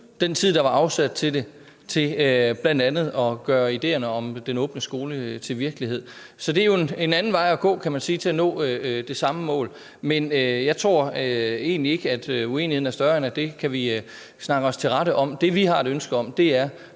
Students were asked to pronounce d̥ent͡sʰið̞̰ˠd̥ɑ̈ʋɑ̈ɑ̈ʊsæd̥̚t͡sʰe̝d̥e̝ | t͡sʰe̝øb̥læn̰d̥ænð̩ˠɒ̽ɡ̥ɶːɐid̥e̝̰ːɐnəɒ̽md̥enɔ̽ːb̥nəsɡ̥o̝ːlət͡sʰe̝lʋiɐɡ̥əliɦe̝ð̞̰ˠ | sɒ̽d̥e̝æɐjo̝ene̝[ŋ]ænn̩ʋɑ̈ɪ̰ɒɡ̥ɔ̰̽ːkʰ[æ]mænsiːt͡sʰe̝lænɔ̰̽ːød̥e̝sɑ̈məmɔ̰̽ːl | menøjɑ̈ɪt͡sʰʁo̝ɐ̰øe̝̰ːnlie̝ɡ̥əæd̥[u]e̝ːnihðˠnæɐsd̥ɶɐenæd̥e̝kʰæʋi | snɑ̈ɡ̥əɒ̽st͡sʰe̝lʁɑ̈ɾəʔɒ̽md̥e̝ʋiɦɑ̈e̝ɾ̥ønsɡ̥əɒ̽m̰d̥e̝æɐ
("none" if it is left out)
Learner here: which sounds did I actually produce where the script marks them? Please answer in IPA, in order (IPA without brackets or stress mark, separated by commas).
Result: n, æ, u